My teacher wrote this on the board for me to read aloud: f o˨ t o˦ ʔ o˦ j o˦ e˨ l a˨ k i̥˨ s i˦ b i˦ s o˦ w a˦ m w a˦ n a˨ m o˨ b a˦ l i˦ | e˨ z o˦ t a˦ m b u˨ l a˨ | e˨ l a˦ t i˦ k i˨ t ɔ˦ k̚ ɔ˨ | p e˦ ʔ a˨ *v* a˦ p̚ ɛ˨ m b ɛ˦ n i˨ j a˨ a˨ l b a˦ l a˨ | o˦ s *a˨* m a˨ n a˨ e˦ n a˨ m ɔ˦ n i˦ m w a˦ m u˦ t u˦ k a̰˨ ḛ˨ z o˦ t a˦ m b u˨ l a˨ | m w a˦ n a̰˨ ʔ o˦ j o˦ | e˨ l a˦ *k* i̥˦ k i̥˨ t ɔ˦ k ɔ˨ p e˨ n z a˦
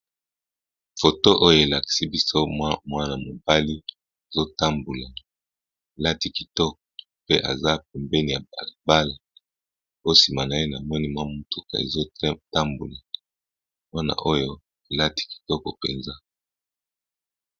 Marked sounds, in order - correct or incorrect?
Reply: incorrect, incorrect, incorrect

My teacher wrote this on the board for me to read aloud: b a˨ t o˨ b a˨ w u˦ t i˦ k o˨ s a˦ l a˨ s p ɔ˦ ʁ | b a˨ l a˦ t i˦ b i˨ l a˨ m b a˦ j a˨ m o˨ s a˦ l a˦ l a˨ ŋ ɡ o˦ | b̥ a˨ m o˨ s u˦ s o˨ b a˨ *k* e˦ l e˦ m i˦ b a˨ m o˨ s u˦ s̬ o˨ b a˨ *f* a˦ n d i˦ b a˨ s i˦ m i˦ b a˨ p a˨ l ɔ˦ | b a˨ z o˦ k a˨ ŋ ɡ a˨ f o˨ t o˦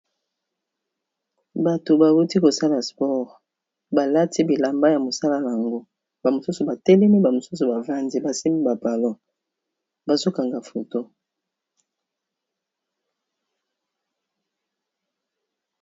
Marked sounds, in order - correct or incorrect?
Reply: incorrect, incorrect

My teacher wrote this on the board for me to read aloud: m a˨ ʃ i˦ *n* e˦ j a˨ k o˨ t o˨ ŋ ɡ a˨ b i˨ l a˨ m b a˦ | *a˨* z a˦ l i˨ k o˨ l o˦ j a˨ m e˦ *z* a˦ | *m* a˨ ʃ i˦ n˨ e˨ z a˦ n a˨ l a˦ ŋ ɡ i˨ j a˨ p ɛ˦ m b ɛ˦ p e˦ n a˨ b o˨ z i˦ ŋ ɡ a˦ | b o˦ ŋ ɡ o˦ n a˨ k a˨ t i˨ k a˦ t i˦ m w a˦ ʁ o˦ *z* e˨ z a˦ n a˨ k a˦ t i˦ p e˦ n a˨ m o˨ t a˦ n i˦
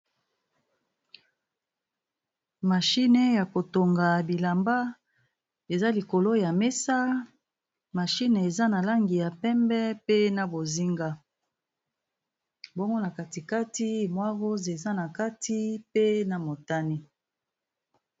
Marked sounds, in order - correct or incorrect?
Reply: correct, incorrect, incorrect, correct, correct

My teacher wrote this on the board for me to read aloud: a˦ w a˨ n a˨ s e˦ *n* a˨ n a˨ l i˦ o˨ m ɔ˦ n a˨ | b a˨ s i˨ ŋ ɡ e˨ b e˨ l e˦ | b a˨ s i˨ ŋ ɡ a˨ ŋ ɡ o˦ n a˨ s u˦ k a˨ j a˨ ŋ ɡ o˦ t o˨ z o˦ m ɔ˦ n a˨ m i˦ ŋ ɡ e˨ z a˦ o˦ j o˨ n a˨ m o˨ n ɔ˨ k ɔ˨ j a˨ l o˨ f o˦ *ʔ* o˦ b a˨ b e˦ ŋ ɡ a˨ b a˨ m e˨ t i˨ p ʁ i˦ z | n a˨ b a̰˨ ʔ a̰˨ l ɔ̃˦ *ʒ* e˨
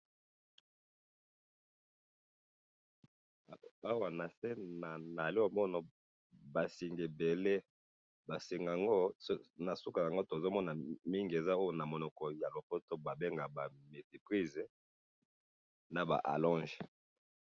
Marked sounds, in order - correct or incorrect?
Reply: correct, incorrect, correct

